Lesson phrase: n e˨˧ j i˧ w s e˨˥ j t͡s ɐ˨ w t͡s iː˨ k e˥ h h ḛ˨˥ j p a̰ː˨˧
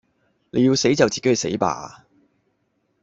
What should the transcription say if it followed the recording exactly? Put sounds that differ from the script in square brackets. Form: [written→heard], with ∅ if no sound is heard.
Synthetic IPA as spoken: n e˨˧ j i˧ w s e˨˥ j t͡s ɐ˨ w t͡s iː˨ k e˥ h [h→s] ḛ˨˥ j p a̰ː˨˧